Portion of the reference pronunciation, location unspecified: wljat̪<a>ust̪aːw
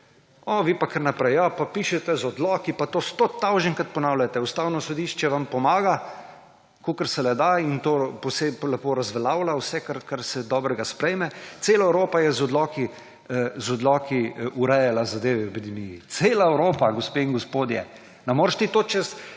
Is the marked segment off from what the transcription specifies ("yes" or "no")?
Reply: yes